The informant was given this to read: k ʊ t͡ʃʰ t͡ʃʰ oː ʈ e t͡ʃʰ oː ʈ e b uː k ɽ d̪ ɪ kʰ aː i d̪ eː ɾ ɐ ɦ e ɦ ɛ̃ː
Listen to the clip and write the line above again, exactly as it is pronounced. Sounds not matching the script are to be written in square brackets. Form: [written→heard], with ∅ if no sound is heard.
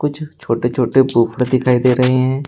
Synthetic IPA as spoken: k ʊ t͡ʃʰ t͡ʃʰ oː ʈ e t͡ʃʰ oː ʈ e b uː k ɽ d̪ ɪ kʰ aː i d̪ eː ɾ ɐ ɦ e ɦ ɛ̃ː